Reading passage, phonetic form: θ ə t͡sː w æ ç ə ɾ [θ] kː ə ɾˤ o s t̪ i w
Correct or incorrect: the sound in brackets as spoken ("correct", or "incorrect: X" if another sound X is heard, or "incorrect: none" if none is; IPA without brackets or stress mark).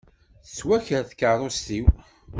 correct